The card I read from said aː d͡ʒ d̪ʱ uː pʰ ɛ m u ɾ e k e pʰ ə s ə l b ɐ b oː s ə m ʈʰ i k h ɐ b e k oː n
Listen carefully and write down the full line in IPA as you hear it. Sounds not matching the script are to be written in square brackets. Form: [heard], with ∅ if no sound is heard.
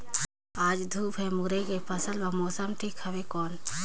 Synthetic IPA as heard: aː d͡ʒ d̪ʱ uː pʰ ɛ m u ɾ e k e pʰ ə s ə l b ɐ [m] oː s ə m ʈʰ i k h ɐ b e k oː n